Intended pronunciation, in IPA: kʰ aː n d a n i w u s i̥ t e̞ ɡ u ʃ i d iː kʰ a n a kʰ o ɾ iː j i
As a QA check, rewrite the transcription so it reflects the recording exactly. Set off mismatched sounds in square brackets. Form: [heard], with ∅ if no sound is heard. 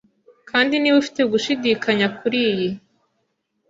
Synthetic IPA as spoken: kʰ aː n d [i] n i w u [f] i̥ t e̞ ɡ u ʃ i d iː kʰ a [ɲ] a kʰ [u] ɾ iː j i

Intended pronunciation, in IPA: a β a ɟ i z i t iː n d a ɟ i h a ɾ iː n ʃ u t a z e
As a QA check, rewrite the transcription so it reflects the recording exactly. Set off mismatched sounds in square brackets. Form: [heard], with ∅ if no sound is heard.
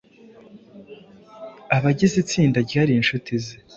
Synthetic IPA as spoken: a β a ɟ i z i [t͡s] iː n d a ɟ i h a ɾ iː n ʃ u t [i] z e

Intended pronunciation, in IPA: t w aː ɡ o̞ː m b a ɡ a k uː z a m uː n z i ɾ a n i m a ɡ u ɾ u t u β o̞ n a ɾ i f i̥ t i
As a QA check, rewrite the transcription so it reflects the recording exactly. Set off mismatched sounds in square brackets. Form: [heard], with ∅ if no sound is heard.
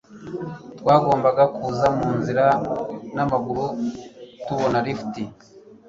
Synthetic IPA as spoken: t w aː ɡ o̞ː m b a ɡ a k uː z a m uː n z i ɾ a n [a] m a ɡ u ɾ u t u β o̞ n a ɾ i f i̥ t i

